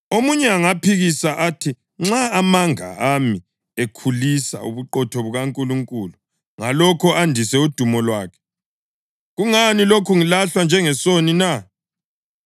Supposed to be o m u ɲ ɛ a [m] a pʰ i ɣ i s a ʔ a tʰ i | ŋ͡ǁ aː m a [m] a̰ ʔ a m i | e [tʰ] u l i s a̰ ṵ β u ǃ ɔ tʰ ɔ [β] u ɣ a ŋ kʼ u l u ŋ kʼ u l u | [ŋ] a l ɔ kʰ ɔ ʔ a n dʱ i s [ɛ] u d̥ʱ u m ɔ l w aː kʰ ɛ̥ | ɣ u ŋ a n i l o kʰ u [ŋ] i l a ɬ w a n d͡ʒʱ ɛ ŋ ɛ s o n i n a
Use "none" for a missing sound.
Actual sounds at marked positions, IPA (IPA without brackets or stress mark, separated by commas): ŋ, ŋ, kʰ, β, ŋ, ɛ, ŋ